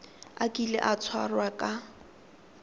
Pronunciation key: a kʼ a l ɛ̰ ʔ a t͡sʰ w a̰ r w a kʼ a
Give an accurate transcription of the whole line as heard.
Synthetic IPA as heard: a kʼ i l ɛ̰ ʔ a t͡sʰ w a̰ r w a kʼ a